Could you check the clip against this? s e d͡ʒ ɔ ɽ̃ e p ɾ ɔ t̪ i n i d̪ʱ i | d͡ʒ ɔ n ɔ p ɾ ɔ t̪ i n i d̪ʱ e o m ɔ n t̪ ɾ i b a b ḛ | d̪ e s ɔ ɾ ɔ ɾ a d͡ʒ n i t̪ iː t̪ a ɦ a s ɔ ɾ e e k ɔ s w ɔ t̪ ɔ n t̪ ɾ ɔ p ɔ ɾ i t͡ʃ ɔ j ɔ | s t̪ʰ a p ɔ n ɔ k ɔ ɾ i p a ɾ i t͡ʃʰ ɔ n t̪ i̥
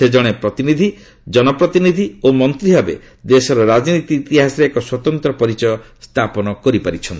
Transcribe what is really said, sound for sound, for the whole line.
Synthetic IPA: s e d͡ʒ ɔ ɽ̃ e p ɾ ɔ t̪ i n i d̪ʱ i | d͡ʒ ɔ n ɔ p ɾ ɔ t̪ i n i d̪ʱ i o m ɔ n t̪ ɾ i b a b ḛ | d̪ e s ɔ ɾ ɔ ɾ a d͡ʒ n i t̪ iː t̪ i ɦ a s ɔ ɾ e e k ɔ s w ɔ t̪ ɔ n t̪ ɾ ɔ p ɔ ɾ i t͡ʃ ɔ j ɔ | s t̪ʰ a p ɔ n ɔ k ɔ ɾ i p a ɾ i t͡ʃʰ ɔ n t̪ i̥